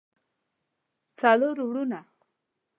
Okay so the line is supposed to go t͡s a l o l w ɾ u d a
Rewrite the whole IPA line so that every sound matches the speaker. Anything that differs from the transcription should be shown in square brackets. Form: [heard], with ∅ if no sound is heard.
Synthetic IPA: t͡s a l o [ɾ] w [ɽ] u [n] a